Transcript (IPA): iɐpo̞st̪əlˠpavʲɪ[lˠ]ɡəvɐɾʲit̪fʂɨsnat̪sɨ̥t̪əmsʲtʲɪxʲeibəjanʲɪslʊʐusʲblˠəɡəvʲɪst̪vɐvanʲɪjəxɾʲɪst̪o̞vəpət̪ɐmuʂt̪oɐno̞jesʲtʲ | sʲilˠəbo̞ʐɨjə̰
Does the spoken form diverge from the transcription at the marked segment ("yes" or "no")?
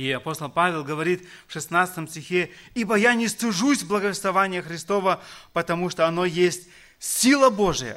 no